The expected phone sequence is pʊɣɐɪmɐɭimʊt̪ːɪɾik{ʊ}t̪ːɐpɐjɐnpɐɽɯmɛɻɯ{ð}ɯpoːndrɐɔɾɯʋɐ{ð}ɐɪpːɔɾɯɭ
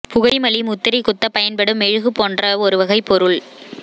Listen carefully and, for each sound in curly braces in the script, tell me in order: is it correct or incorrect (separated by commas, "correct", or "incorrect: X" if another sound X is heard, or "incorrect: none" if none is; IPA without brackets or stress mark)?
correct, incorrect: ɣ, incorrect: ɣ